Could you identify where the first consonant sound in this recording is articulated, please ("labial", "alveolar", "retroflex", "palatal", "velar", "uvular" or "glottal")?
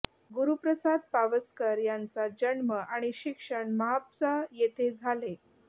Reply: velar